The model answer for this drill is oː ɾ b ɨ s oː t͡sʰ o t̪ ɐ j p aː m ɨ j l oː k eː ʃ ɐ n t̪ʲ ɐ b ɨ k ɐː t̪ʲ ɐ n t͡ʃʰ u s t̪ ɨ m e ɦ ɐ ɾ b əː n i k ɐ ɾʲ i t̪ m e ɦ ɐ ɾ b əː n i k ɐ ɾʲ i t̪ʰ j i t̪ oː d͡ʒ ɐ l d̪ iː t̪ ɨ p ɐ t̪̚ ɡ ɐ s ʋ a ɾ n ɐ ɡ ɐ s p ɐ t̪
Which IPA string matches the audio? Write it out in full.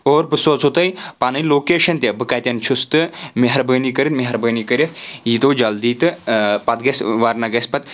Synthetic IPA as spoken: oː ɾ b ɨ s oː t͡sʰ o t̪ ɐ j p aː n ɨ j l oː k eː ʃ ɐ n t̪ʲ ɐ b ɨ k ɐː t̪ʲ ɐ n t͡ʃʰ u s t̪ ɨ m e ɦ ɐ ɾ b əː n i k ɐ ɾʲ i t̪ m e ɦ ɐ ɾ b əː n i k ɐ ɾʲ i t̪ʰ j i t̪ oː d͡ʒ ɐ l d̪ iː t̪ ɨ p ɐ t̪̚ ɡ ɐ s ʋ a ɾ n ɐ ɡ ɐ s p ɐ t̪